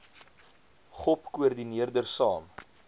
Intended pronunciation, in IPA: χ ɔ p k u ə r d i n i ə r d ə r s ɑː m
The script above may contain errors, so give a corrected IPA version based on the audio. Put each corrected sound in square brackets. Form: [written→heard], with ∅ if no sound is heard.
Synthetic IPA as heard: χ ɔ p k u ə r d i n i ə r d ə r s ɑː m